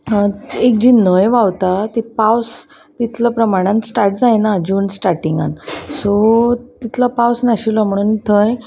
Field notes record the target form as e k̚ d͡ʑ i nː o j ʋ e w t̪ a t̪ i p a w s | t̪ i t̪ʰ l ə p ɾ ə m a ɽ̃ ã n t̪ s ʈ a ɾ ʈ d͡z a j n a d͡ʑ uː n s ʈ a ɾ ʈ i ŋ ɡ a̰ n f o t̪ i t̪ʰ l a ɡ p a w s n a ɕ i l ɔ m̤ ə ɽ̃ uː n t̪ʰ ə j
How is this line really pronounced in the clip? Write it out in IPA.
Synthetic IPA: e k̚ d͡ʑ i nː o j ʋ a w t̪ a t̪ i p a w s | t̪ i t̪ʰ l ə p ɾ ə m a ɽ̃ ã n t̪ s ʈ a ɾ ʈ d͡z a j n a d͡ʑ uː n s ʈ a ɾ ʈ i ŋ ɡ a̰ n s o t̪ i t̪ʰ l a p a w s n a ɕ i l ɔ m̤ ə ɽ̃ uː n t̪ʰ ə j